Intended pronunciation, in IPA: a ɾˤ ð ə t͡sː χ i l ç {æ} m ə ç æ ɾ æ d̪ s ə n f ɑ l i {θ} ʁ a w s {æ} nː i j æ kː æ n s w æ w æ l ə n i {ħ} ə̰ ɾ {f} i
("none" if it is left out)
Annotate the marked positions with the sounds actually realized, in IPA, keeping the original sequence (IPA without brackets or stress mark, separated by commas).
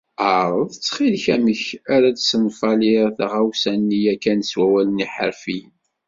æ, θ, æ, ħ, f